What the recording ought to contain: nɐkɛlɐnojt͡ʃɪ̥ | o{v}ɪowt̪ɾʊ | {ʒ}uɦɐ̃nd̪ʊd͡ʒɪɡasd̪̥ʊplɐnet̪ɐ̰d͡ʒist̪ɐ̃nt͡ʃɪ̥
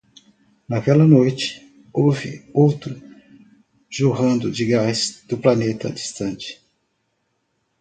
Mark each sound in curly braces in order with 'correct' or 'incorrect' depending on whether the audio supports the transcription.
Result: correct, correct

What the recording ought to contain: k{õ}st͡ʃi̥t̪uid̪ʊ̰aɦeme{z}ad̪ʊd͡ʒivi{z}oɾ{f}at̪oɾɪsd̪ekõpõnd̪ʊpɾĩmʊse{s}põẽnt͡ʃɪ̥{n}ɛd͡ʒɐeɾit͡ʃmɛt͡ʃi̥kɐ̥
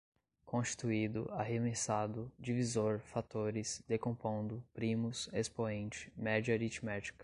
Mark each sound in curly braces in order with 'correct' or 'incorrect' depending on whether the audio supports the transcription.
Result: correct, incorrect: s, correct, correct, correct, incorrect: m

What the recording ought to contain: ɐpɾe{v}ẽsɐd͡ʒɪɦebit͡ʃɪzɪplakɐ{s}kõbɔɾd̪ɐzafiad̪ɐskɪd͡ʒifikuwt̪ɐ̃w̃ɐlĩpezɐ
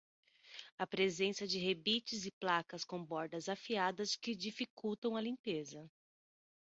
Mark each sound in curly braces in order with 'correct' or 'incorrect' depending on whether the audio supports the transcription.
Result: incorrect: z, correct

